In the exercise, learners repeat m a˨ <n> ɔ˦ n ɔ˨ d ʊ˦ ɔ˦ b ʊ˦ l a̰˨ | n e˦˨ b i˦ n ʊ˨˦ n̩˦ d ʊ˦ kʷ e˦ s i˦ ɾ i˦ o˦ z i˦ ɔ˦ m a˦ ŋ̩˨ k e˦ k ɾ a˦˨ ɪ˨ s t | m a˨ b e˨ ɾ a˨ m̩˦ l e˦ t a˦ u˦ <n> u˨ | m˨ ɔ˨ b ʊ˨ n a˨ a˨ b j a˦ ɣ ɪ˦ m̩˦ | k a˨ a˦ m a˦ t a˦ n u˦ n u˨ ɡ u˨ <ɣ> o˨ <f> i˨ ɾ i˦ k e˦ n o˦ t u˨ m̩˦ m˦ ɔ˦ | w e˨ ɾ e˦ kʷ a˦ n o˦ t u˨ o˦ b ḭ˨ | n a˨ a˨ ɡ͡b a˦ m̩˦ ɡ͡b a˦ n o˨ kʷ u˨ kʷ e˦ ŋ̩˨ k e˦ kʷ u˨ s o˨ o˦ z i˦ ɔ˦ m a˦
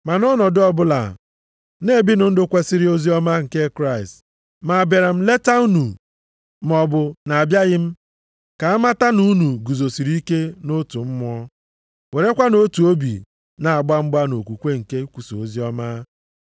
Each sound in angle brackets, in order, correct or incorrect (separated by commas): correct, correct, incorrect, incorrect